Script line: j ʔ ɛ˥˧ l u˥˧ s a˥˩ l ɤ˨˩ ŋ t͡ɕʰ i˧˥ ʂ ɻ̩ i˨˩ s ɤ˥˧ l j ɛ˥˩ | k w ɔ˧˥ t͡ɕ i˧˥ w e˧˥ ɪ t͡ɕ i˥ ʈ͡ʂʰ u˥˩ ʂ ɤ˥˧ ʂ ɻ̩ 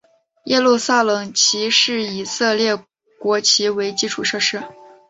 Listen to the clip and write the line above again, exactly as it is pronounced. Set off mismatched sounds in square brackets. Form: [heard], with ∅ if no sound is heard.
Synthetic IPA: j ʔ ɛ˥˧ l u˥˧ s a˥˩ l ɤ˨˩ ŋ t͡ɕʰ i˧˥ ʂ ɻ̩ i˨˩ s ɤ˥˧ l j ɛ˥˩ | k w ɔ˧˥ [t͡ɕʰ] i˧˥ w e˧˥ ɪ t͡ɕ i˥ ʈ͡ʂʰ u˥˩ ʂ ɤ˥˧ ʂ ɻ̩